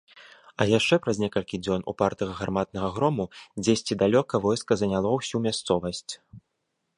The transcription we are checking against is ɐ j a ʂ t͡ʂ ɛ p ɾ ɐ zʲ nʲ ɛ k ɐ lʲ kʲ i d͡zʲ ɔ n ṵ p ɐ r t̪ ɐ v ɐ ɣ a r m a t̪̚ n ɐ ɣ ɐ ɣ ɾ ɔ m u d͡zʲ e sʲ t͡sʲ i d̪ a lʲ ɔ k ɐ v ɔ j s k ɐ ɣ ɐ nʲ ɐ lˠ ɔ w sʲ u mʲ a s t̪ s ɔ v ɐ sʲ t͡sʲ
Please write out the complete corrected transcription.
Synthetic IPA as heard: ɐ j a ʂ t͡ʂ ɛ p ɾ ɐ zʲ nʲ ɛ k ɐ lʲ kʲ i d͡zʲ ɔ n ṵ p a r t̪ ɐ ɣ ɐ ɣ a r m a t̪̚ n ɐ ɣ ɐ ɣ ɾ ɔ m u d͡zʲ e sʲ t͡sʲ i d̪ a lʲ ɔ k ɐ v ɔ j s k ɐ z ɐ nʲ a lˠ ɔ w sʲ u mʲ a s t̪ s ɔ v ɐ sʲ t͡sʲ